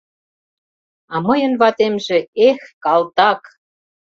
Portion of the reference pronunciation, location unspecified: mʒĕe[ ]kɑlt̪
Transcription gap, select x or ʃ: x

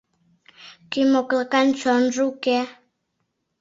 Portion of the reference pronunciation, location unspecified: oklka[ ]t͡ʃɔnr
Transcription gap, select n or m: n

